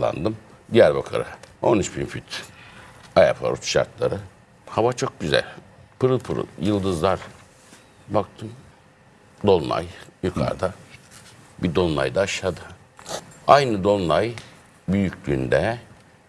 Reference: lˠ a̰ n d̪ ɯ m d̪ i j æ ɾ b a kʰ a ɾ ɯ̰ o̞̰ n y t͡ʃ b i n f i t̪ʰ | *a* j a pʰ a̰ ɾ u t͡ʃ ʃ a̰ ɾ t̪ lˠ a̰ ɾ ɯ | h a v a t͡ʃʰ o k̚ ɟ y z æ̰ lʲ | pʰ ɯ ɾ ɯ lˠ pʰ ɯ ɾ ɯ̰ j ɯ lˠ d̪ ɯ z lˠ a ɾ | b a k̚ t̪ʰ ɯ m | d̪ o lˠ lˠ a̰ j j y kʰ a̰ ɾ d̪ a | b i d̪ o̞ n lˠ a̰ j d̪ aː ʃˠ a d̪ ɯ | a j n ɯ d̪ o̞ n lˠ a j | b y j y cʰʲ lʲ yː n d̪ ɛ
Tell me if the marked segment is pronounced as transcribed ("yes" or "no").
yes